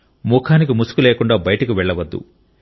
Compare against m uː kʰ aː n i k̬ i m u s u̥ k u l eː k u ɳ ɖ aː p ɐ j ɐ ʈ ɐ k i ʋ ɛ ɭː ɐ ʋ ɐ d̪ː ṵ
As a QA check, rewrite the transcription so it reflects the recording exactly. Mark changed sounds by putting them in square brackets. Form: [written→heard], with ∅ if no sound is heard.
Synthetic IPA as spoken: m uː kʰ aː n i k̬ i m u s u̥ k u l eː k u ɳ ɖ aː [p→b] ɐ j ɐ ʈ ɐ k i ʋ ɛ ɭː ɐ ʋ ɐ d̪ː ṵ